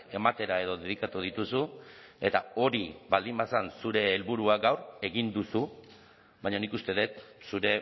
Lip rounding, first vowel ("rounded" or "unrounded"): unrounded